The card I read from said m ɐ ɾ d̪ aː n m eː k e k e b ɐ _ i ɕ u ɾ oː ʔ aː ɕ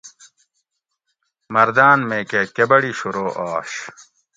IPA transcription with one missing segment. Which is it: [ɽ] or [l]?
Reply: ɽ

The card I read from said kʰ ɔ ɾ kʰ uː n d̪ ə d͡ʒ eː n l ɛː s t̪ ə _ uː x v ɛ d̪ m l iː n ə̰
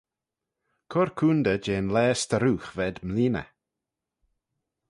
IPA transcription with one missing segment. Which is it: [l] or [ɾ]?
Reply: ɾ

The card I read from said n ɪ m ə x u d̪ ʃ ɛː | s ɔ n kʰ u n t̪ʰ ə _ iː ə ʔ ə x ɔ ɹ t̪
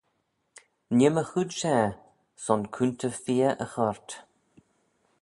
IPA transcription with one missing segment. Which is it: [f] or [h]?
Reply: f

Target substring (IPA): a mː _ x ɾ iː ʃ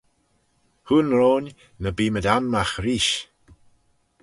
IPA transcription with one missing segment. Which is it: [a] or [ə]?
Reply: a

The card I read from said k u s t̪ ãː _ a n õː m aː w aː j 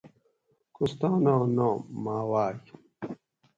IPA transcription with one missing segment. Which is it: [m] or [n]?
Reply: n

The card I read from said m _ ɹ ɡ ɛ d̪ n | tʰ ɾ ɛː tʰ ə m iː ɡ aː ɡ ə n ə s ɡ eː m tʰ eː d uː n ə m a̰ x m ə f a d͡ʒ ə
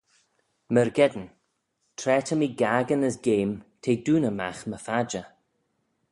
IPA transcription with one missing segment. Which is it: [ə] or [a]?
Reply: ə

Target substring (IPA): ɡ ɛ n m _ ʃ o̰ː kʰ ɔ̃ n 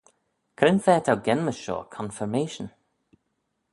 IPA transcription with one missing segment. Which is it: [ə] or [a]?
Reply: ə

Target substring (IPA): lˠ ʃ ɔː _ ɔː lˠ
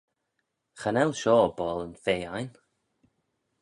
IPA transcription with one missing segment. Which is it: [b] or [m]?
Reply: b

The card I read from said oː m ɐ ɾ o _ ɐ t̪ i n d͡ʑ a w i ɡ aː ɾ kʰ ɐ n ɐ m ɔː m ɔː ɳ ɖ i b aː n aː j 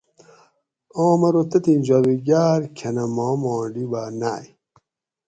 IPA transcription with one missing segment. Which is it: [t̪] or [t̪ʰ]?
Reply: t̪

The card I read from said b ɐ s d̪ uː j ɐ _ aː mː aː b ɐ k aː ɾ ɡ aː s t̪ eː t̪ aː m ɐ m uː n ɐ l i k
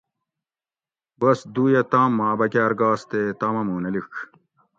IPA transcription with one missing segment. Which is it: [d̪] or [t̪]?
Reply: t̪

